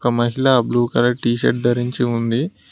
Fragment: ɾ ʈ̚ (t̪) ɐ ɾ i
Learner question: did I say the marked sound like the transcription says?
no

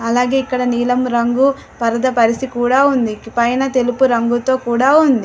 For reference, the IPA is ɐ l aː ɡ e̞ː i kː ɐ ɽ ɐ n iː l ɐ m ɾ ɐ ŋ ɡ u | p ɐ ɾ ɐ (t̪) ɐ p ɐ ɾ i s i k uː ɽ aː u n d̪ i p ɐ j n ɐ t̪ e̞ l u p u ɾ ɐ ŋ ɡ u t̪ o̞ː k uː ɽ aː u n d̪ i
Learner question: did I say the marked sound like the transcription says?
no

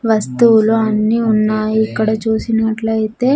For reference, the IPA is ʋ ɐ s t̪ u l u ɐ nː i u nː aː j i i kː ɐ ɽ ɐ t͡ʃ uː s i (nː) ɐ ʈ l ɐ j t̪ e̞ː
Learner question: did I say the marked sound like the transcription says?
no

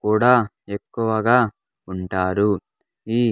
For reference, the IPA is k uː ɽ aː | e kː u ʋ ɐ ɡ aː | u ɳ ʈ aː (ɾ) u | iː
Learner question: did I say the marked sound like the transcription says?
yes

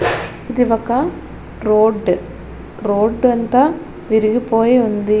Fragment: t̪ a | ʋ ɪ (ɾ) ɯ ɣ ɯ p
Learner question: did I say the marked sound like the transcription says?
yes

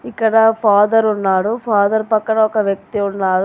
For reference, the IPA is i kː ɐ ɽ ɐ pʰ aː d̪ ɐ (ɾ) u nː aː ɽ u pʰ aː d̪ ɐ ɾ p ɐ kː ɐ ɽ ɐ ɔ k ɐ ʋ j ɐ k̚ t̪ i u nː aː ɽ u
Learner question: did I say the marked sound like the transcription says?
yes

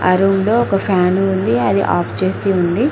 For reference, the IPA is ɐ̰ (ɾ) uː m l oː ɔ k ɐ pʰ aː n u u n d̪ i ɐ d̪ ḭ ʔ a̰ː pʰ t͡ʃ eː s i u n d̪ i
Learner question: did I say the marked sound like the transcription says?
yes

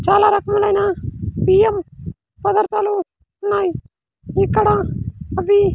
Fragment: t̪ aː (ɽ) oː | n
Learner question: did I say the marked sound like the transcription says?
no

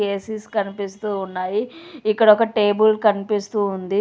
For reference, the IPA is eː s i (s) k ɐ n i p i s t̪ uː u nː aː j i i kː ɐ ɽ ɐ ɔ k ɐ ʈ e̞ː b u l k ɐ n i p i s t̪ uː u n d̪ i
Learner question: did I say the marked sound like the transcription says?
yes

